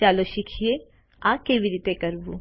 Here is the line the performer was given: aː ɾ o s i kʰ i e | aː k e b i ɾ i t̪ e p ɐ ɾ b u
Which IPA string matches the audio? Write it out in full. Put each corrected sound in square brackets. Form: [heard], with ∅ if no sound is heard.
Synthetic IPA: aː [l] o [ʃ] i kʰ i e | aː k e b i ɾ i t̪ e [k] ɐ ɾ b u